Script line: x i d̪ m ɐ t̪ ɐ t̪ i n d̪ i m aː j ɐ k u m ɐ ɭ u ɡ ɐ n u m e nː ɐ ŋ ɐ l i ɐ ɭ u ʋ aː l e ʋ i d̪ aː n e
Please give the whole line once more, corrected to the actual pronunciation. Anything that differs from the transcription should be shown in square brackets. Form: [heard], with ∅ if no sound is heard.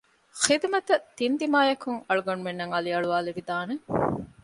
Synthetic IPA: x i d̪ m ɐ t̪ ɐ t̪ i n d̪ i m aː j ɐ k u [ŋ] ɐ ɭ u ɡ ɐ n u m e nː ɐ ŋ ɐ l i ɐ ɭ u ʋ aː l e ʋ i d̪ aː n e